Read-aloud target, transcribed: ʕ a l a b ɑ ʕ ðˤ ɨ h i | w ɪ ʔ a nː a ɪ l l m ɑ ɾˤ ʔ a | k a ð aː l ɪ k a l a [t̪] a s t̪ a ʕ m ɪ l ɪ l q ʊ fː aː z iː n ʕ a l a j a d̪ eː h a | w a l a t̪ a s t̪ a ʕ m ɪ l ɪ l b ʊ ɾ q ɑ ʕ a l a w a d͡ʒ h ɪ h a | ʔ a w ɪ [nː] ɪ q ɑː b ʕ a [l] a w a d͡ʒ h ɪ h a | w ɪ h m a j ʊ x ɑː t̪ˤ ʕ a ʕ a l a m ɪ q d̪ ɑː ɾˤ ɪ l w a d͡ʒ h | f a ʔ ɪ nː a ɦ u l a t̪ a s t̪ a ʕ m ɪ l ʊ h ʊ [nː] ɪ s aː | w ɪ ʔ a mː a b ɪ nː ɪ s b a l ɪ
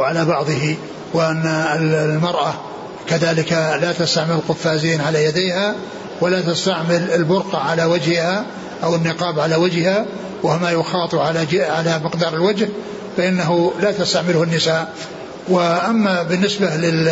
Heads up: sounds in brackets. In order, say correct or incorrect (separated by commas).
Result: correct, correct, correct, correct